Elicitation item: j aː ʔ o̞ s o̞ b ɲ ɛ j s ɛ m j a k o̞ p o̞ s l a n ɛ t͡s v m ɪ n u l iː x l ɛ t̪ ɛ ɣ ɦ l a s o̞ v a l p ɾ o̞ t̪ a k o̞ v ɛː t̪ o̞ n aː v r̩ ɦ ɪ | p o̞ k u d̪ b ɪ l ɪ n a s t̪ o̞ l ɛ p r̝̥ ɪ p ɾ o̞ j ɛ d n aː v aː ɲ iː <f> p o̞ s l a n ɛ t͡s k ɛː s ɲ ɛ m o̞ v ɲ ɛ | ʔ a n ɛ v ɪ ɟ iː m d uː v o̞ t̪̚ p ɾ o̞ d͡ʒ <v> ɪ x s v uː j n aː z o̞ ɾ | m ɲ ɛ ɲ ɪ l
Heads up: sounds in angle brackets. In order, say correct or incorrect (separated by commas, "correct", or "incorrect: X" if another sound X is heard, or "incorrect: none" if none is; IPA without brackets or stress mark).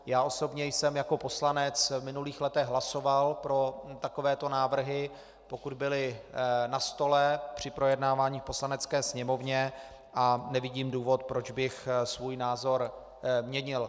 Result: correct, incorrect: b